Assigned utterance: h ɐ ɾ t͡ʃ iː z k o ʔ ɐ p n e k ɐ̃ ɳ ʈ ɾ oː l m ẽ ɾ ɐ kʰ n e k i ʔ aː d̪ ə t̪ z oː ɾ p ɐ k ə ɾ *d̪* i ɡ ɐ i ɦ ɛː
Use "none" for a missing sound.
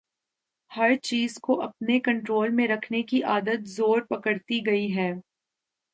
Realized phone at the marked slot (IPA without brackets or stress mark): t̪